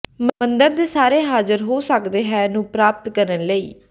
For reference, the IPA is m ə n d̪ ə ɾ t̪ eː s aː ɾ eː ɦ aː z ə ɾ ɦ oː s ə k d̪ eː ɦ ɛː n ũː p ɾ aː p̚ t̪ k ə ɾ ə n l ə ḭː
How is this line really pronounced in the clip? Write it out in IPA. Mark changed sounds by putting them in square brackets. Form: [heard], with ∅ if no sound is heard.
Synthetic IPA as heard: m ə n d̪ ə ɾ [d̪] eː s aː ɾ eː ɦ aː z ə ɾ ɦ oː s ə k d̪ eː ɦ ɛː n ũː p ɾ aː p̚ t̪ k ə ɾ ə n l ə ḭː